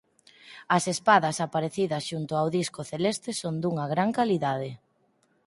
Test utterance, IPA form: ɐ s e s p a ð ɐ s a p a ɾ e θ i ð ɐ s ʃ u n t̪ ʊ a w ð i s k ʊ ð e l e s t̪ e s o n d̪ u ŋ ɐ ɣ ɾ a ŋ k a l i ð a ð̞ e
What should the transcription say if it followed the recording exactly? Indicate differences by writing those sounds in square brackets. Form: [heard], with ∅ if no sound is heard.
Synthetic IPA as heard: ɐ s e s p a ð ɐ s a p a ɾ e θ i ð ɐ s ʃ u n t̪ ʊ a w ð i s k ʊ [θ] e l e s t̪ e s o n d̪ u ŋ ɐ ɣ ɾ a ŋ k a l i ð a ð̞ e